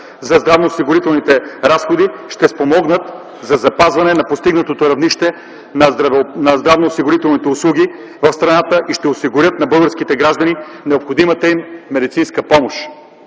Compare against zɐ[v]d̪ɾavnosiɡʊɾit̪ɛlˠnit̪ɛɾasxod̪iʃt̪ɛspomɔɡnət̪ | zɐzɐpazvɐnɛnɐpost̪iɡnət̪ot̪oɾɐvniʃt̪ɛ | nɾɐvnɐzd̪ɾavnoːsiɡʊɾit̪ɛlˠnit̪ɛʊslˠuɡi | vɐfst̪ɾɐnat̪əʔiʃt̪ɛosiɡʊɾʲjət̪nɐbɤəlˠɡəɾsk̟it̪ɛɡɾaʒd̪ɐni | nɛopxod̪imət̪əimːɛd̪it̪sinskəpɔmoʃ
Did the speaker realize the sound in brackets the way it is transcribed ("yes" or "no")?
no